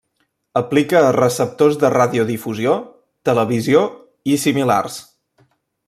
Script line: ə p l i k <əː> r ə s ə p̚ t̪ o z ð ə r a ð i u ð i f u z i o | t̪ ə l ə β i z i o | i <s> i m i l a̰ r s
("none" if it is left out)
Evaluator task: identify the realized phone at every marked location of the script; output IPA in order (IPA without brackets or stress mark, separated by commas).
əː, s